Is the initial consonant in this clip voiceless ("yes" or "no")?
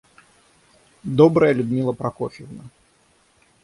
no